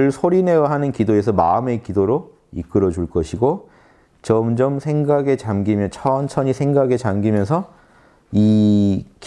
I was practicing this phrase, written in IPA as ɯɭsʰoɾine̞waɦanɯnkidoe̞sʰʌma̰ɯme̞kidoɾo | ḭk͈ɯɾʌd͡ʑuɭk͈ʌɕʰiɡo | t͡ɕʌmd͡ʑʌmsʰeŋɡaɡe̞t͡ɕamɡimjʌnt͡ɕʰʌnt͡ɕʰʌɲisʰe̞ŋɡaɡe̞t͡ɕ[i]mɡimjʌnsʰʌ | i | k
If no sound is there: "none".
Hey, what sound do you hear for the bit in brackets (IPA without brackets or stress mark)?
a